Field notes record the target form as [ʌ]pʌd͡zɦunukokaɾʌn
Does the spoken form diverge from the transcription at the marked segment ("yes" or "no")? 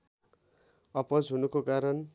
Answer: no